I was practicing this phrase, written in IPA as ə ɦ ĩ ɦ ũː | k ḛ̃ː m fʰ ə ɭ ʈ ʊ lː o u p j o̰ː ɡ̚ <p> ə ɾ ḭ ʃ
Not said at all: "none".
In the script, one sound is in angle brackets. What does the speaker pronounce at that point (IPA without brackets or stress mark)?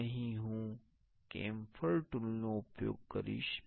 k